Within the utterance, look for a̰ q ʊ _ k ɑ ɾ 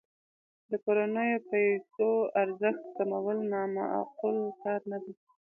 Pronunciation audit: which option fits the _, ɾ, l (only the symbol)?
l